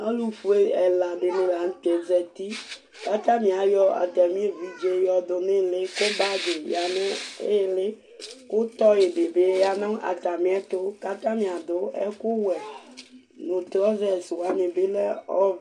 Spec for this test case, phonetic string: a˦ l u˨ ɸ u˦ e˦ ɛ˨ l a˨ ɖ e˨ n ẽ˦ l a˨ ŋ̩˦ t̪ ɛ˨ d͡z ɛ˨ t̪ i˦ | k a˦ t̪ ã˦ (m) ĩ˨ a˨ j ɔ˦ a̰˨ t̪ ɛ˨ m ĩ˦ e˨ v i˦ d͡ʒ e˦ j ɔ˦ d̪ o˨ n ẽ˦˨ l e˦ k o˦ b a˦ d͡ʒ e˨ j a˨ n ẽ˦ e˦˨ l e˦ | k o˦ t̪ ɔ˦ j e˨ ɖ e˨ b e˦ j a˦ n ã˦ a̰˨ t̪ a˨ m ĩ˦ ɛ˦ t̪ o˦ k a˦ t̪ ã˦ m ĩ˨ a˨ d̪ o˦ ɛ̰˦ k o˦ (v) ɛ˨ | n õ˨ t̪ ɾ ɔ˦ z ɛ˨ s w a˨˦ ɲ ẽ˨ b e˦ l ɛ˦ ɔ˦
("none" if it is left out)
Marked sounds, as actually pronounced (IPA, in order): m, w

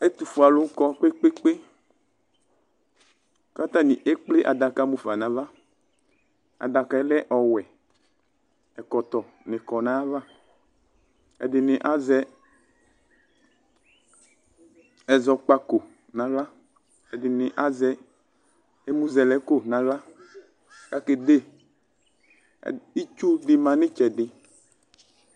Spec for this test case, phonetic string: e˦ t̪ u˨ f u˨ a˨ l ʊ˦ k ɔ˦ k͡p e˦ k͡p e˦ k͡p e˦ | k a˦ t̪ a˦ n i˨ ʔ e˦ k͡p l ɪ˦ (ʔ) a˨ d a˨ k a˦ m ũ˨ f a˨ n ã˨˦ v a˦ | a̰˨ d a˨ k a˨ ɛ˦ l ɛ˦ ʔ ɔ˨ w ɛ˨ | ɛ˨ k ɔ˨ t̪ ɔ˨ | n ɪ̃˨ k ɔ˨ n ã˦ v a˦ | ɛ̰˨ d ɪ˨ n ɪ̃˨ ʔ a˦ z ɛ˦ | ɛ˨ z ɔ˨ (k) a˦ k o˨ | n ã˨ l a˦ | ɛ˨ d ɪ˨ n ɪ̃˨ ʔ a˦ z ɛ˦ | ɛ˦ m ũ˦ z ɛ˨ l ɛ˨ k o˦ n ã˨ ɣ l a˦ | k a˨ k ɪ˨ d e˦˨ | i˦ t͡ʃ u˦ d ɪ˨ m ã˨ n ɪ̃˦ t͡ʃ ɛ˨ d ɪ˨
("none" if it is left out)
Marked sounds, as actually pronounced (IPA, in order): ʔ, k͡p

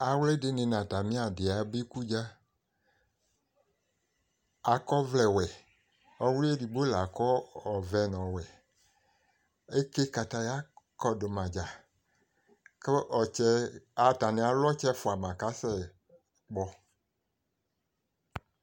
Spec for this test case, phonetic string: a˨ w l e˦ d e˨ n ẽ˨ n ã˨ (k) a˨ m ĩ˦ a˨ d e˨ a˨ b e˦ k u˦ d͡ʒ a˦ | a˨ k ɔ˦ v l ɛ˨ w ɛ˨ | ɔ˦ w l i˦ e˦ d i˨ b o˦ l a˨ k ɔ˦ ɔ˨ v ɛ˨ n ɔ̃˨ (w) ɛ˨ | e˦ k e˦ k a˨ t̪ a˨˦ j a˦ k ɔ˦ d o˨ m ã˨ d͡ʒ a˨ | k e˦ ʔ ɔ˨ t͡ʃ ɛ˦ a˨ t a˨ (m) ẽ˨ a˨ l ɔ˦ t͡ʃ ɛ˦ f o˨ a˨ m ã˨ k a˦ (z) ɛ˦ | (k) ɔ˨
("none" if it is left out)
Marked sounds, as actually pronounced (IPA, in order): t, w, n, s, k͡p

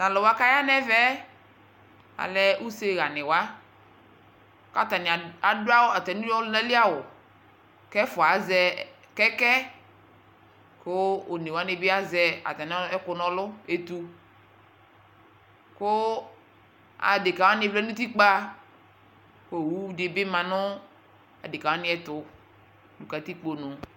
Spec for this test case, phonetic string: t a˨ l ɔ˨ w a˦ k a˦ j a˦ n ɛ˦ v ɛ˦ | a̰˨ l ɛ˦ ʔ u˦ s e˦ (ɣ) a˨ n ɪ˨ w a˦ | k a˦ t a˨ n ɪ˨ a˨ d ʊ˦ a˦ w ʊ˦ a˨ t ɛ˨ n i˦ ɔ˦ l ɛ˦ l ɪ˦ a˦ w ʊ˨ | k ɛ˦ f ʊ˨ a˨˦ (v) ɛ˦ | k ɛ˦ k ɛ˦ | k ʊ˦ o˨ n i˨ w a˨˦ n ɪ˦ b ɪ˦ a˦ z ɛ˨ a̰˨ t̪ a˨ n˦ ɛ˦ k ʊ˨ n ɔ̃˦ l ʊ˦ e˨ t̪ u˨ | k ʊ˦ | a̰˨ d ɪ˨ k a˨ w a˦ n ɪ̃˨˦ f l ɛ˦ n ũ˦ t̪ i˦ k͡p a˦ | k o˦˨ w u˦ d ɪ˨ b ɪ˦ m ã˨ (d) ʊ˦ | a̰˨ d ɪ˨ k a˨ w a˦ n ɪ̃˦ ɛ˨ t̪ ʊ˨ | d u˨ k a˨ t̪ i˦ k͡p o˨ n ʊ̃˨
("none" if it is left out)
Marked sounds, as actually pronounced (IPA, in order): ɣ, z, n

